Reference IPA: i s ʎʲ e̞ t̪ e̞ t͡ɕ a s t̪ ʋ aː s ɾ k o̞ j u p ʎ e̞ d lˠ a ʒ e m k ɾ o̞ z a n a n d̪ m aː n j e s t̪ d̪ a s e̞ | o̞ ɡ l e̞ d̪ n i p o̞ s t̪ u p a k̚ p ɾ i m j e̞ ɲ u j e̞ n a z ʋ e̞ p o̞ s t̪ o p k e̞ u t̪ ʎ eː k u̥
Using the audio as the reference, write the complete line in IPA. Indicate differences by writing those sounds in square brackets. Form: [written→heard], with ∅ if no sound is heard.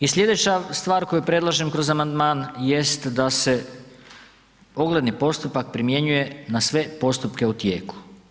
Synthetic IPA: i s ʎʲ e̞ [t̪→d̪] e̞ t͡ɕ a s t̪ ʋ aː [s→∅] ɾ k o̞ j u p [ʎ→ɾ] e̞ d lˠ a ʒ e m k ɾ o̞ z a [n→m] a n d̪ m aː n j e s t̪ d̪ a s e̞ | o̞ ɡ l e̞ d̪ n i p o̞ s t̪ u p a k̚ p ɾ i m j e̞ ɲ u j e̞ n a [z→s] ʋ e̞ p o̞ s t̪ [o→u] p k e̞ u t̪ [ʎ→j] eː k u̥

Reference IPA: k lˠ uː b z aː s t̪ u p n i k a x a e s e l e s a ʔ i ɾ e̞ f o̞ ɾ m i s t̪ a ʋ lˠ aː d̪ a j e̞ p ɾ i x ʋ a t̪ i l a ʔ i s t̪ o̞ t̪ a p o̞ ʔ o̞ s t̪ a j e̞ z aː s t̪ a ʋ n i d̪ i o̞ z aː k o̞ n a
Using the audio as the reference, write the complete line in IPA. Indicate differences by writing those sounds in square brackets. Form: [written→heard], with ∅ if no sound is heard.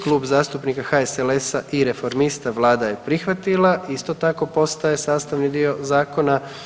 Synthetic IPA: k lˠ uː b z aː s t̪ u p n i k a x a e s e l e s a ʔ i ɾ e̞ f o̞ ɾ m i s t̪ a ʋ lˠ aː d̪ a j e̞ p ɾ i x ʋ a t̪ i l a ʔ i s t̪ o̞ t̪ a [p→k] o̞ [ʔ→p] o̞ s t̪ a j e̞ [z→s] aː s t̪ a ʋ n i d̪ i o̞ z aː k o̞ n a

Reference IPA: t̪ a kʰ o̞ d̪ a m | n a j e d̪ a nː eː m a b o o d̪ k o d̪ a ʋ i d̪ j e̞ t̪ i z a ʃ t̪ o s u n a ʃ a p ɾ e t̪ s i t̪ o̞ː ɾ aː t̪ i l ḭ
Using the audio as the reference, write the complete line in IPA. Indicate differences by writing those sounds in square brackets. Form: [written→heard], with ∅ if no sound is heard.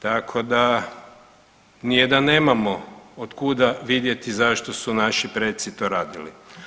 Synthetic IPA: t̪ a kʰ o̞ d̪ a [m→∅] | n [a→i] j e d̪ a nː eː m a [b→m] o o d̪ k [o→u] d̪ a ʋ i d̪ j e̞ t̪ i z a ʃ t̪ o s u n a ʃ [a→i] p ɾ e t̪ s i t̪ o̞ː ɾ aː [t̪→d̪] i l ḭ

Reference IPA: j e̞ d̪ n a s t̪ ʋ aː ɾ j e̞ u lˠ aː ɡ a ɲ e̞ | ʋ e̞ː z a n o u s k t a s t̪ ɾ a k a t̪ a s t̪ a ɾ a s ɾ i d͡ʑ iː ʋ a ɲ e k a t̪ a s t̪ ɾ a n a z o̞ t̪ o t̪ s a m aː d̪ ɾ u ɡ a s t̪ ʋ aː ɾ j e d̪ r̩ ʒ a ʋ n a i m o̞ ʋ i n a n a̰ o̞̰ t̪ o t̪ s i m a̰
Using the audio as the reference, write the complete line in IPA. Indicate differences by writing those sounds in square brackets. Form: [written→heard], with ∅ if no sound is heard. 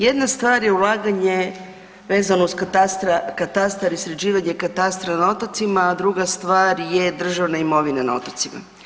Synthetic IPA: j e̞ d̪ n a s t̪ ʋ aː ɾ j e̞ u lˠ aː ɡ a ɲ e̞ | ʋ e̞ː z a n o u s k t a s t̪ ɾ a k a t̪ a s t̪ a ɾ [a→i] s ɾ [i→e] d͡ʑ iː ʋ a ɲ e k a t̪ a s t̪ ɾ a n a [z→∅] o̞ t̪ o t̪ s [a→i] m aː d̪ ɾ u ɡ a s t̪ ʋ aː ɾ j e d̪ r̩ ʒ a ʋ n a i m o̞ ʋ i n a n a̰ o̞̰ t̪ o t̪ s i m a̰

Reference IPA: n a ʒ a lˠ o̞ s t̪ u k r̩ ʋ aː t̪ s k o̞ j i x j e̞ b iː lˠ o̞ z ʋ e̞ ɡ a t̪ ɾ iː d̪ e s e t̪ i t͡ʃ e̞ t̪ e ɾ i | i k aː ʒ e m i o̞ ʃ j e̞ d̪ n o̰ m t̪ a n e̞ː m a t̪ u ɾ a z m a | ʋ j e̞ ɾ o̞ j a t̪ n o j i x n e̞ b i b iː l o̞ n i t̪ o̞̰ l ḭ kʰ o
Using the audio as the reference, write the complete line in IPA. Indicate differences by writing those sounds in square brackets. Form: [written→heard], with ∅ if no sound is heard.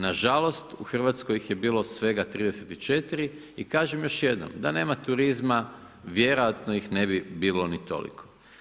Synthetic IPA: n a ʒ a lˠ o̞ s t̪ u [k→x] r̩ ʋ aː t̪ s k o̞ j i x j e̞ b iː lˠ o̞ [z→s] ʋ e̞ ɡ a t̪ ɾ iː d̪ e s e t̪ i t͡ʃ e̞ t̪ [e→i] ɾ i | i k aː ʒ e m [i→j] o̞ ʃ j e̞ d̪ n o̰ m [t̪→d̪] a n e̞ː m a t̪ u ɾ [a→i] z m a | ʋ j e̞ ɾ o̞ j a t̪ n o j i x n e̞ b i b iː l o̞ n i t̪ o̞̰ l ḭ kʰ o

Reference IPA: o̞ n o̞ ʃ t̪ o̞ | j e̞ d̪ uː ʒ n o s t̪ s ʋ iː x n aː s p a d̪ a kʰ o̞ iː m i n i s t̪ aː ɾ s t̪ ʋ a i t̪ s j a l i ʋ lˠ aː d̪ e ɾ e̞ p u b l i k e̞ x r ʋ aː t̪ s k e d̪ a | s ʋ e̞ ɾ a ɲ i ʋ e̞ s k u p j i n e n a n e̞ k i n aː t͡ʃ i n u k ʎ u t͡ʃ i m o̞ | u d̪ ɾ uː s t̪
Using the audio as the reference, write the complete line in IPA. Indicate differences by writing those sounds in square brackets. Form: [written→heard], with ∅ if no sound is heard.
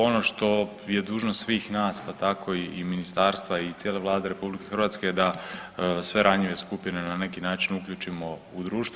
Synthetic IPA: o̞ n o̞ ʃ t̪ o̞ | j e̞ d̪ uː ʒ n o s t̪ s ʋ iː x n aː s p a [d̪→t̪] a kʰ o̞ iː m i n i s t̪ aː ɾ s t̪ ʋ a i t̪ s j [a→e] l [i→e] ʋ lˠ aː d̪ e ɾ e̞ p u b l i k e̞ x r ʋ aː t̪ s k e d̪ a | s ʋ e̞ ɾ a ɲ i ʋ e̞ s k u p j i n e n a n e̞ k i n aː t͡ʃ i n u k ʎ u t͡ʃ i m o̞ | u d̪ ɾ uː [s→ʃ] t̪

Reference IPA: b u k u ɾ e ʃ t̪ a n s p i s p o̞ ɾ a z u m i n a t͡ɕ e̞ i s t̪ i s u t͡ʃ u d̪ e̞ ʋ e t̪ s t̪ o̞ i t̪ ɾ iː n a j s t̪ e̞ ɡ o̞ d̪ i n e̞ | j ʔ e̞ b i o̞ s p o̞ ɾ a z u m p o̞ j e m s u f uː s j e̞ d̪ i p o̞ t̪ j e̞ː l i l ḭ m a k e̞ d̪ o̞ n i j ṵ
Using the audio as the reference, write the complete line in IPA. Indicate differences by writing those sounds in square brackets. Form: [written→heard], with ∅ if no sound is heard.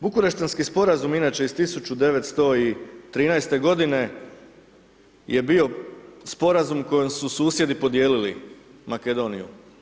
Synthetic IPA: b u k u ɾ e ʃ t̪ a n s [p→k] i s p o̞ ɾ a z u m i n a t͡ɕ e̞ i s t̪ i s u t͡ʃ u d̪ e̞ ʋ e t̪ s t̪ o̞ i t̪ ɾ iː n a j s t̪ e̞ ɡ o̞ d̪ i n e̞ | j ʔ e̞ b i o̞ s p o̞ ɾ a z u m [p→k] o̞ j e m s u [f→s] uː s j e̞ d̪ i p o̞ [t̪→d̪] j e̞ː l i l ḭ m a k e̞ d̪ o̞ n i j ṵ

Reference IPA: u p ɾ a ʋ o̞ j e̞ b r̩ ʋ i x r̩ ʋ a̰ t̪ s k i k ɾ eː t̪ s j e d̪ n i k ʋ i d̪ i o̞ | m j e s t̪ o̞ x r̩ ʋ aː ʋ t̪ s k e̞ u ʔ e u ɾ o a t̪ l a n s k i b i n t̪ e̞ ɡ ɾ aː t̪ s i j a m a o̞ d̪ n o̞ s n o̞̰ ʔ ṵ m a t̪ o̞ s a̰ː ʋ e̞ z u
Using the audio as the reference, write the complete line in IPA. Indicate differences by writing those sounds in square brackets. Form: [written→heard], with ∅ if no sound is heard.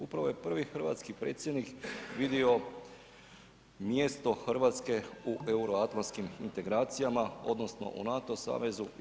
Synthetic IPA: u p ɾ a ʋ o̞ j e̞ [b→p] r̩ ʋ i x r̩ ʋ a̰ t̪ s k i [k→p] ɾ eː t̪ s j e d̪ n i k ʋ i d̪ i o̞ | m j e s t̪ o̞ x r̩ ʋ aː [ʋ→∅] t̪ s k e̞ u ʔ e u ɾ o a t̪ l a n s k i [b→m] i n t̪ e̞ ɡ ɾ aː t̪ s i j a m a o̞ d̪ n o̞ s n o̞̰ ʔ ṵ [m→n] a t̪ o̞ s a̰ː ʋ e̞ z u

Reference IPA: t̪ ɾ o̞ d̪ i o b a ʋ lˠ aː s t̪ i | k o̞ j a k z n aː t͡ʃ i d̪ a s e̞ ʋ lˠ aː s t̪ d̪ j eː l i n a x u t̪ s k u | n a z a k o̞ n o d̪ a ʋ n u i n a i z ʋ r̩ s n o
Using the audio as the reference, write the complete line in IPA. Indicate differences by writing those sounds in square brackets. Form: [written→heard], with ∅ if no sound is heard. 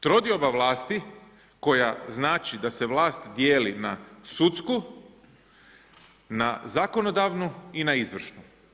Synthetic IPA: t̪ ɾ o̞ d̪ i o b a ʋ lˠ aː s t̪ i | k o̞ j a [k→∅] z n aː t͡ʃ i d̪ a s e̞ ʋ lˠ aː s t̪ d̪ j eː l i n a [x→s] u t̪ s k u | n a z a k o̞ n o d̪ a ʋ n u i n a i z ʋ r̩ [s→ʃ] n [o→u]

